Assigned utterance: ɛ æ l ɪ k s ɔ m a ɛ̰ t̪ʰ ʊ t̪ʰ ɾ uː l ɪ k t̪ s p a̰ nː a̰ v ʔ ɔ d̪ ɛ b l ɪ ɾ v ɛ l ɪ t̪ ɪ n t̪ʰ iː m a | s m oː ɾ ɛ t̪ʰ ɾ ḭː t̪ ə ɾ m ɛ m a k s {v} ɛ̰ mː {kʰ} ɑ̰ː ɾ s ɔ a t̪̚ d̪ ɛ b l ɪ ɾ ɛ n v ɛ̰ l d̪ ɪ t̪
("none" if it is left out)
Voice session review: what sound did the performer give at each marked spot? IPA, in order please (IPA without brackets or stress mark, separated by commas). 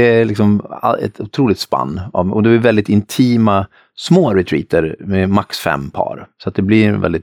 f, pʰ